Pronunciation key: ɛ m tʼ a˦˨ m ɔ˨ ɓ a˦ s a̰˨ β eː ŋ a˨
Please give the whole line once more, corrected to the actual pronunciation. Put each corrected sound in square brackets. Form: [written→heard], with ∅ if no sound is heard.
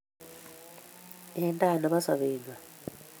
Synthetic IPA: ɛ [m→n] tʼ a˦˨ [m→n] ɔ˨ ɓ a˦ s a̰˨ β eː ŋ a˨